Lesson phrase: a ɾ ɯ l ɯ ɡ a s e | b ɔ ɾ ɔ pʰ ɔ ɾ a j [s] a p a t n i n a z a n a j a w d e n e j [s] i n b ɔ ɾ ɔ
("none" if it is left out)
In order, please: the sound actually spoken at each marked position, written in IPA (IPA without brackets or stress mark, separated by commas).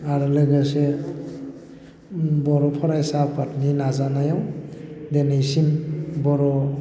s, s